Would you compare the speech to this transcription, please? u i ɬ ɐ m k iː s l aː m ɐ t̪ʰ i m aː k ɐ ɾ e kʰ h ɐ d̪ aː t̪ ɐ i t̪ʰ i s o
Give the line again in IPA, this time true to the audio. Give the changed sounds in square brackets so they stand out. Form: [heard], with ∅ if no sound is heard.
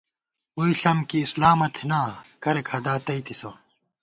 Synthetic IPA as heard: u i ɬ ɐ m k iː s l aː m ɐ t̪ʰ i [n] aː k ɐ ɾ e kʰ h ɐ d̪ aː t̪ ɐ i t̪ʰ i s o